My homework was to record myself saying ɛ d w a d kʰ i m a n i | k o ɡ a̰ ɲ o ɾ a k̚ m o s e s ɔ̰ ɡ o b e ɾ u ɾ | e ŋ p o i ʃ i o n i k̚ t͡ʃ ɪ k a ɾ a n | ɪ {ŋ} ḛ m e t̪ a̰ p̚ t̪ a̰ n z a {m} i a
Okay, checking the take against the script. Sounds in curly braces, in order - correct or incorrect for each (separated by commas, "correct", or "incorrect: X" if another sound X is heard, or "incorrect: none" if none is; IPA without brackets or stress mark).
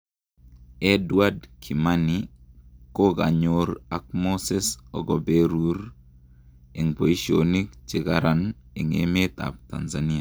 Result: correct, incorrect: n